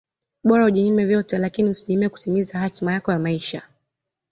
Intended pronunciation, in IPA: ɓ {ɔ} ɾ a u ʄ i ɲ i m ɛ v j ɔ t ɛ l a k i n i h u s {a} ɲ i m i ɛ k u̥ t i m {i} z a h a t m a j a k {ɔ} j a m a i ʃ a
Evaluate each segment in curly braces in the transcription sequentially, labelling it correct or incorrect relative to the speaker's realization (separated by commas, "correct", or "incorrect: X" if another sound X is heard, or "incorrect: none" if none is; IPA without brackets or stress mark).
correct, incorrect: i, correct, correct